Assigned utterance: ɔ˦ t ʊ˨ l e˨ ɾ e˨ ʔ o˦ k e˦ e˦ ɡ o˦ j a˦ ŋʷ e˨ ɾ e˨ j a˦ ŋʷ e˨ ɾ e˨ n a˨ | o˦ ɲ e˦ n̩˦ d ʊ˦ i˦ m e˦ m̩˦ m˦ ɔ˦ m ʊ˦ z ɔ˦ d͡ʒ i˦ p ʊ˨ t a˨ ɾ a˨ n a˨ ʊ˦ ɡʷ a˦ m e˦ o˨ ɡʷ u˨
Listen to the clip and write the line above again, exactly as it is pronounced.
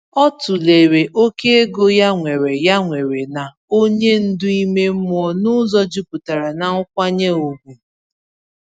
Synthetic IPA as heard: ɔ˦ t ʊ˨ l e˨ ɾ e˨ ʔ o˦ k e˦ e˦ ɡ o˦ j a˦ ŋʷ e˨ ɾ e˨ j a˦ ŋʷ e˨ ɾ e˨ n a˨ | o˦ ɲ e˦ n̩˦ d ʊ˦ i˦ m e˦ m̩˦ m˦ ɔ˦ n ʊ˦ z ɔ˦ d͡ʒ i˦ p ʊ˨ t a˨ ɾ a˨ n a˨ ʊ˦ kʷ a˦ ɲ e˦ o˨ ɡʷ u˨